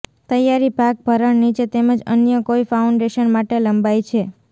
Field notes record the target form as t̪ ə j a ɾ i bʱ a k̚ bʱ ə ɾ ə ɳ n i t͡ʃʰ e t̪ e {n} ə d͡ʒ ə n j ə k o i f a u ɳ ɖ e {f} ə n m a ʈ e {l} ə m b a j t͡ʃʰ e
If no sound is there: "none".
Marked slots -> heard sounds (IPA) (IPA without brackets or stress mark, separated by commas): m, ʃ, l